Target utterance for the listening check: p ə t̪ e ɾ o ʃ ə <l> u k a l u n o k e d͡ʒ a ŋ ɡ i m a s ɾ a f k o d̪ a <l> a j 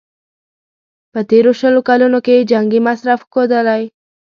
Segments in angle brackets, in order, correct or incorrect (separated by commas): correct, correct